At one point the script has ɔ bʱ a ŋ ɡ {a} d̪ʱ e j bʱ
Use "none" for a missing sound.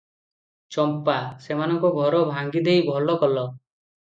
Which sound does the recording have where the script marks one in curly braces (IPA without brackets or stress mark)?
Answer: i